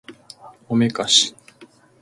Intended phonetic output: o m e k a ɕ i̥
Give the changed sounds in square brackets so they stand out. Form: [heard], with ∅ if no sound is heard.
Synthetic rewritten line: o m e k a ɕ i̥

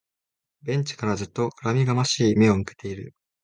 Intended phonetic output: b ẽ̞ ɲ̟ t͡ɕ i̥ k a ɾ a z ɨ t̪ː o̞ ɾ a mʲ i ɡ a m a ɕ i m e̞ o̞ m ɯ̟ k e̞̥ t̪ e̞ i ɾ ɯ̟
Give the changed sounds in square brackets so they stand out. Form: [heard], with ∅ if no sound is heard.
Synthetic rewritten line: b ẽ̞ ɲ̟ t͡ɕ i̥ k a ɾ a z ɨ t̪ː o̞ ɾ a mʲ i ɡ a m a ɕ [iː] m e̞ o̞ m ɯ̟ k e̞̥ t̪ e̞ i ɾ ɯ̟

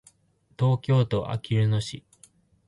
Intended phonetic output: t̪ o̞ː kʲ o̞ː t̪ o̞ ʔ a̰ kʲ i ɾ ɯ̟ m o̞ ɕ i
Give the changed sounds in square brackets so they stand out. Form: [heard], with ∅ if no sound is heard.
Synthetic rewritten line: t̪ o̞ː kʲ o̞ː t̪ o̞ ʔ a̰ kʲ i ɾ ɯ̟ [n] o̞ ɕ i

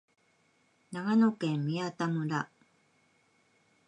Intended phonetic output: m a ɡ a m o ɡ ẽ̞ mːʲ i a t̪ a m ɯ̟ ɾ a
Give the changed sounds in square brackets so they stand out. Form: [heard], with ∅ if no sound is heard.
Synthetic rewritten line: [n] a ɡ a [n] o [k] ẽ̞ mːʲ i a t̪ a m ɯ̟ ɾ a

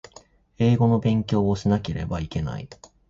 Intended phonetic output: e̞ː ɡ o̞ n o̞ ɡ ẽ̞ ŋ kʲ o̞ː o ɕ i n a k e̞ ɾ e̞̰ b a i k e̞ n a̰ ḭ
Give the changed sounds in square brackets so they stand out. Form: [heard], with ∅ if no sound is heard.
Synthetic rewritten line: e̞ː ɡ o̞ n o̞ [b] ẽ̞ ŋ kʲ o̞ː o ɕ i n a k e̞ ɾ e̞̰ b a i k e̞ n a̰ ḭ

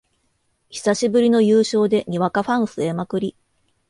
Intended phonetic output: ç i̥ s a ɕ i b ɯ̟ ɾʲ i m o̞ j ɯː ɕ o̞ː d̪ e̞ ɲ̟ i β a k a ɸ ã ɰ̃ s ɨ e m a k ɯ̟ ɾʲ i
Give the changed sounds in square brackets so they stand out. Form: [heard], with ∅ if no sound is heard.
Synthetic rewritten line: ç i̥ s a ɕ i b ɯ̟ ɾʲ i [n] o̞ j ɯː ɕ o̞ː d̪ e̞ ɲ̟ i β a k a ɸ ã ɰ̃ s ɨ e m a k ɯ̟ ɾʲ i

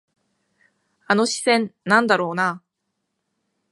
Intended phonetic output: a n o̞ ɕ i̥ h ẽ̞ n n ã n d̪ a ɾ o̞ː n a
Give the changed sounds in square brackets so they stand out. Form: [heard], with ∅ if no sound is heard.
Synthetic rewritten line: a n o̞ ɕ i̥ [s] ẽ̞ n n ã n d̪ a ɾ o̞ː n a

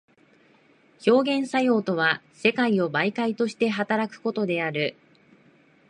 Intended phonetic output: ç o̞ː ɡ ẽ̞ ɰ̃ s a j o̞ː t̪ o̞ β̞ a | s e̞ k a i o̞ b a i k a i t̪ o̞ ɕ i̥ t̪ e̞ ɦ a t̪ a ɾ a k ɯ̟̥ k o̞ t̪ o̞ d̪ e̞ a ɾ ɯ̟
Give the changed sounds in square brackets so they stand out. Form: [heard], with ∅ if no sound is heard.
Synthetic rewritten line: ç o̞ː ɡ ẽ̞ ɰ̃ s a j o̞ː t̪ o̞ β̞ a | s e̞ k a i o̞ b a i k a i t̪ o̞ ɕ i̥ t̪ e̞ ɦ a t̪ a ɾ a k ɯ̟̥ k o̞ t̪ o̞ d̪ e̞ a ɾ ɯ̟

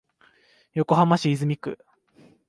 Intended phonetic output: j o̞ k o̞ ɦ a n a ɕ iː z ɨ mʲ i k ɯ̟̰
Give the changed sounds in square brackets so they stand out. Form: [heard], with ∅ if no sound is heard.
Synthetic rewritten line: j o̞ k o̞ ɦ a [m] a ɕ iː z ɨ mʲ i k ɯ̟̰

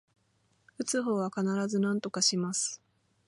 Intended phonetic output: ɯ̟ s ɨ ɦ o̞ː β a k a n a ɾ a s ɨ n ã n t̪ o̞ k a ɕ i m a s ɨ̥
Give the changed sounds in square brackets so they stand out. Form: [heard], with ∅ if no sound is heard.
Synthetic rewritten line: ɯ̟ [t͡s] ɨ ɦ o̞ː β a k a n a ɾ a [z] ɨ n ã n t̪ o̞ k a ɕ i m a s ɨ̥

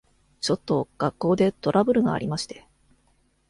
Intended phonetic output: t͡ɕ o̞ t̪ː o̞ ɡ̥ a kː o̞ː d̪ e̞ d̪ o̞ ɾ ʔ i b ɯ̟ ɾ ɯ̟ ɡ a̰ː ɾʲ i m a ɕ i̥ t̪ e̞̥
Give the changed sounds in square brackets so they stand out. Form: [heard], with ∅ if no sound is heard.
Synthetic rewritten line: t͡ɕ o̞ t̪ː o̞ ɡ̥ a kː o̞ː d̪ e̞ [t̪] o̞ ɾ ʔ [a] b ɯ̟ ɾ ɯ̟ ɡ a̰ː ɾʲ i m a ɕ i̥ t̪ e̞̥

